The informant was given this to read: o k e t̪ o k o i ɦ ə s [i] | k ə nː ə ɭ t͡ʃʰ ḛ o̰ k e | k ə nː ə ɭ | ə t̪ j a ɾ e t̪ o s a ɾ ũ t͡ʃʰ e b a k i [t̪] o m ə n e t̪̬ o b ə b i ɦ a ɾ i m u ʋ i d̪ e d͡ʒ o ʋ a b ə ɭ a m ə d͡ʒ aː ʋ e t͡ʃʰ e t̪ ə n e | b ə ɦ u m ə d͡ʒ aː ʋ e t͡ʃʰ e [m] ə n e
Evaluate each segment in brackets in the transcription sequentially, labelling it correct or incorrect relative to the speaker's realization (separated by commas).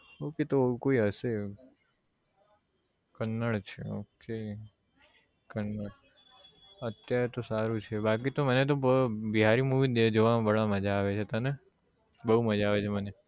incorrect, correct, correct